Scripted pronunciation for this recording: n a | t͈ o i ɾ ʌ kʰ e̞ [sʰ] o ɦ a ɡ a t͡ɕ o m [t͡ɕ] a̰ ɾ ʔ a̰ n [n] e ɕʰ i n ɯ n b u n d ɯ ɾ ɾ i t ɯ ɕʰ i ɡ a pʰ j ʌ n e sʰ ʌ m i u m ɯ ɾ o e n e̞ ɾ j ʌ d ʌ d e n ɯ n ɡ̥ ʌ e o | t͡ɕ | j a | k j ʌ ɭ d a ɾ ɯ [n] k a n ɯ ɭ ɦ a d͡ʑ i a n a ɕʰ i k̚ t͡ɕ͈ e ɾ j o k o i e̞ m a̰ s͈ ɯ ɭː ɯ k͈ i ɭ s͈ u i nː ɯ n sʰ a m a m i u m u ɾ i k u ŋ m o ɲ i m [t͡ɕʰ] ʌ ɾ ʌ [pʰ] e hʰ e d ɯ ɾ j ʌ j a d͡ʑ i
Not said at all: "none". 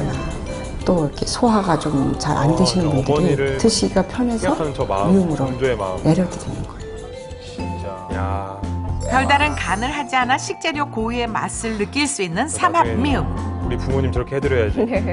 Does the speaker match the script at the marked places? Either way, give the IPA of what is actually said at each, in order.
sʰ, t͡ɕ, d, n, t͡ɕ, kʰ

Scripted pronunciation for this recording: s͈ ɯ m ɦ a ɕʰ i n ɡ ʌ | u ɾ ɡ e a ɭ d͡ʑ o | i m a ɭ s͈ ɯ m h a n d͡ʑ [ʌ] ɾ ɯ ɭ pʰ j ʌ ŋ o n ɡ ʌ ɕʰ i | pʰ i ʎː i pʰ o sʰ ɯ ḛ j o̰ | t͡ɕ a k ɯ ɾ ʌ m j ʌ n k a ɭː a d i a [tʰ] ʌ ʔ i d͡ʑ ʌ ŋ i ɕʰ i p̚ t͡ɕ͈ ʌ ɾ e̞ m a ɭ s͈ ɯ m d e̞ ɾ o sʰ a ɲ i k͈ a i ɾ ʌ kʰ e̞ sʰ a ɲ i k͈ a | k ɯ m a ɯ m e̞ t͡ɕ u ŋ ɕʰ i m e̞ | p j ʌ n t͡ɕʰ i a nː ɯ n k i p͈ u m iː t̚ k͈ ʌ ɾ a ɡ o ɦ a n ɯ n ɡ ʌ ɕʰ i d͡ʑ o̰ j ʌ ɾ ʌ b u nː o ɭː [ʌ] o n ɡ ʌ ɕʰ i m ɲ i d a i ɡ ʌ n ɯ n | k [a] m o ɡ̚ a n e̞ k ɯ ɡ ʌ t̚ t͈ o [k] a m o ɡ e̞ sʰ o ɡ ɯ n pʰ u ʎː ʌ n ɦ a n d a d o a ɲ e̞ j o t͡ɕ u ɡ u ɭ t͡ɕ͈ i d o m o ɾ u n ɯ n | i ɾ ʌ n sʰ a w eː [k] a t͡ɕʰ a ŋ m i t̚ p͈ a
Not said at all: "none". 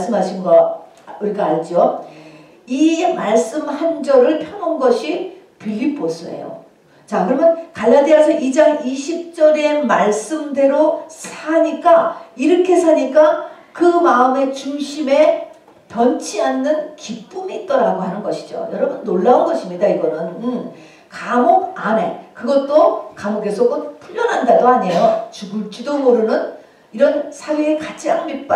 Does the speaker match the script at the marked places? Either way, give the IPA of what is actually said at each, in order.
ʌ, sʰ, a, a, k, k

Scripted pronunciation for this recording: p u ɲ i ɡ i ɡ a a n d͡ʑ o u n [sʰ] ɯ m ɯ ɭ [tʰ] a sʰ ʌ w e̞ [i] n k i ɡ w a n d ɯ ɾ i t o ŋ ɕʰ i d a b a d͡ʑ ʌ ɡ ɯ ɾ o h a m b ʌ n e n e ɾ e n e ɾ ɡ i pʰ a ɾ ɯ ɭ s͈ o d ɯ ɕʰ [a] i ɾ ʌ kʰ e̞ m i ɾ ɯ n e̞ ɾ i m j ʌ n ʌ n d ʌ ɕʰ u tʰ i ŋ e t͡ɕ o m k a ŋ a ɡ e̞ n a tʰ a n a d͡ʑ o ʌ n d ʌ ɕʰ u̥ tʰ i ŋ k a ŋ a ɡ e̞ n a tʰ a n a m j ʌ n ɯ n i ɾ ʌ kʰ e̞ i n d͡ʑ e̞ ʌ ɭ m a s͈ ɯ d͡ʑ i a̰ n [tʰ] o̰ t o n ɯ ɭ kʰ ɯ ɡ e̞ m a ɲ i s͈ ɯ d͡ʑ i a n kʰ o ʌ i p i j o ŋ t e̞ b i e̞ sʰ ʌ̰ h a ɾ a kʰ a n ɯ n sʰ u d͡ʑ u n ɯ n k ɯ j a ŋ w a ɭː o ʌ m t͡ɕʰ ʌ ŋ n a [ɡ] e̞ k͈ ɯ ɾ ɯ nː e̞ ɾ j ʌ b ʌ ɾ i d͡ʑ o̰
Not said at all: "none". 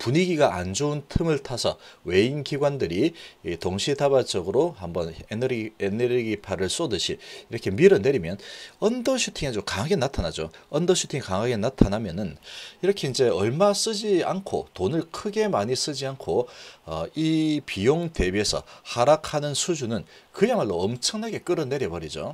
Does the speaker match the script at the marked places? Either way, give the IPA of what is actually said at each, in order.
tʰ, tʰ, i, i, kʰ, ɡ

